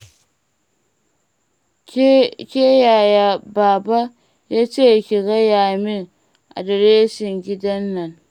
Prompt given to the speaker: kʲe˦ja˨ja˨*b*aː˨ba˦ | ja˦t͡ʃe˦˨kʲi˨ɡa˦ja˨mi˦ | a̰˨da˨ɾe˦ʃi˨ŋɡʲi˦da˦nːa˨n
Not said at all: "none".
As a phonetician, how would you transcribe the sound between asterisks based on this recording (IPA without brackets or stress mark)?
b